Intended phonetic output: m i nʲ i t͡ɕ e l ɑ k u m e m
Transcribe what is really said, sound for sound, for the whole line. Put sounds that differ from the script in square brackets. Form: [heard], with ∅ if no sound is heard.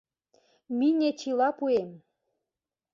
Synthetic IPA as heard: m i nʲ [e] t͡ɕ [i] l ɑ [p] u [∅] e m